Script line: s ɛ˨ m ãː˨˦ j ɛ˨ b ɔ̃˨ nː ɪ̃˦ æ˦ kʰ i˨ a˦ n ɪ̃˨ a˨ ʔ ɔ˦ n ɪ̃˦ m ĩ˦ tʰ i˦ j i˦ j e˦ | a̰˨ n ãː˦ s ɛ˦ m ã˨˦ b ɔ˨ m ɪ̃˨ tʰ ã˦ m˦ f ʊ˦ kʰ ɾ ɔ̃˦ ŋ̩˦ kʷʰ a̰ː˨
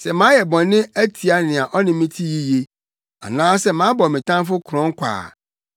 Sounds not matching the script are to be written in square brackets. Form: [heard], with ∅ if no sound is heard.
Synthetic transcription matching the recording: s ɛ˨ m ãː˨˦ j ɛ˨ b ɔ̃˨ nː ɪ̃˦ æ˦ [tʰ] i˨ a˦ n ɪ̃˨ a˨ ʔ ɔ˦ n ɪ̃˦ m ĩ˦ tʰ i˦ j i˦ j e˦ | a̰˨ n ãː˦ s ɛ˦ m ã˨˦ b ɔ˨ m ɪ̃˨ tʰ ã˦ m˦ f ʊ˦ kʰ ɾ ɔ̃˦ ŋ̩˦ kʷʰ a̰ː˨